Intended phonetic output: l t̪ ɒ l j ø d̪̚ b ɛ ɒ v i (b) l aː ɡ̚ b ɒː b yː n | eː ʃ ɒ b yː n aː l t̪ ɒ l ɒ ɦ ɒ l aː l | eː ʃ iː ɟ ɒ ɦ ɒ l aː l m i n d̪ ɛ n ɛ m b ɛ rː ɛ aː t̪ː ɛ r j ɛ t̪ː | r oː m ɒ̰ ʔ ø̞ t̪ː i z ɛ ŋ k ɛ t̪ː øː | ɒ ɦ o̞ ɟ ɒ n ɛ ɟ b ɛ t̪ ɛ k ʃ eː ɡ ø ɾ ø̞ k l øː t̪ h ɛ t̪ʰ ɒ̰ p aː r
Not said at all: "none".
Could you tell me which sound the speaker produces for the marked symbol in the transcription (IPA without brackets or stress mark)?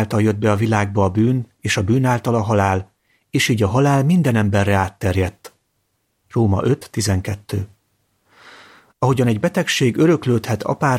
none